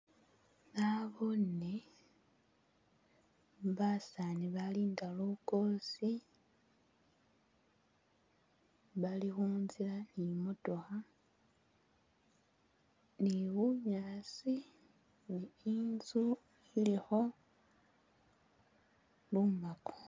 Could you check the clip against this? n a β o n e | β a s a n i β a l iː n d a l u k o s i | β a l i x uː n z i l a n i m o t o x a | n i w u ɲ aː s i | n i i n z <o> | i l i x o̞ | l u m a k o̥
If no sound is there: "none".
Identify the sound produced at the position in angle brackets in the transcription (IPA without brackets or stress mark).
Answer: u